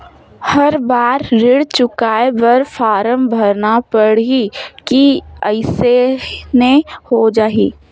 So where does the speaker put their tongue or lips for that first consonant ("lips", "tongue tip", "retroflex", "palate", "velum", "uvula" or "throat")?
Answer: throat